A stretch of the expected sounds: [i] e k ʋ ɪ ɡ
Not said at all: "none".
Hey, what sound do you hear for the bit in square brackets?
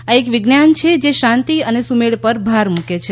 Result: a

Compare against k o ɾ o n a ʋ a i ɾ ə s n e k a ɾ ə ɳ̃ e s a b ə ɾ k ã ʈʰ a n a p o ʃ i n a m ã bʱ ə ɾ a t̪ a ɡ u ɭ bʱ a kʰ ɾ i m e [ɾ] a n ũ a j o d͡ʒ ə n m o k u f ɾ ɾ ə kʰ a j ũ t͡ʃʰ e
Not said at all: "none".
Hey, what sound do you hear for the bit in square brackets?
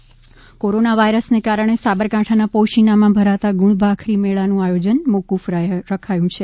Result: ɭ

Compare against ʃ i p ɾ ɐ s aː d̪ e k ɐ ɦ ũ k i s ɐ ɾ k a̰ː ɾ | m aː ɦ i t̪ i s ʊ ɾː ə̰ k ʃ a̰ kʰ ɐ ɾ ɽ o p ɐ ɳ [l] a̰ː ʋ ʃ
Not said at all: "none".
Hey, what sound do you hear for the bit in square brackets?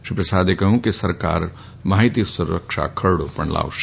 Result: l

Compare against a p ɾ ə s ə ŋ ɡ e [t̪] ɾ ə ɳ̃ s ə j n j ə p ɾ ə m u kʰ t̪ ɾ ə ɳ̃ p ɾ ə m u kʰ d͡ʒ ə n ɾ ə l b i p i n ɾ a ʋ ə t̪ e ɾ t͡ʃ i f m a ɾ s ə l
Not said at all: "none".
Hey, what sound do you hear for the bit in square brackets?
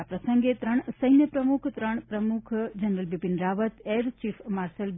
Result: t̪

